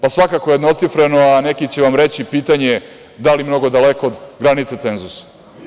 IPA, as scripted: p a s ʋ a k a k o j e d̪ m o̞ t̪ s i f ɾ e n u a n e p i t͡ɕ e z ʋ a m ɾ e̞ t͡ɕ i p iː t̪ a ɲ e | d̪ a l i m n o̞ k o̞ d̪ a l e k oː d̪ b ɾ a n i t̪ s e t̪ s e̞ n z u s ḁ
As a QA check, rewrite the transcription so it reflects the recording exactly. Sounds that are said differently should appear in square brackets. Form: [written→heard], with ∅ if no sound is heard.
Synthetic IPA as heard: p a s ʋ a k a k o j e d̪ [m→n] o̞ t̪ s i f ɾ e n [u→o] a n e [p→k] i t͡ɕ e [z→∅] ʋ a m ɾ e̞ t͡ɕ i p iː t̪ a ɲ e | d̪ a l i m n o̞ [k→ɡ] o̞ d̪ a l e k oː d̪ [b→ɡ] ɾ a n i t̪ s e t̪ s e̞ n z u s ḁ